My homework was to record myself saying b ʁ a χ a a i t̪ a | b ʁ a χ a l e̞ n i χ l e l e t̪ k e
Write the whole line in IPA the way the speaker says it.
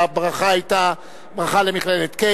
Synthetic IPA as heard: b ʁ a χ a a j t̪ a | b ʁ a χ a l e̞ m i χ l e l e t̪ k e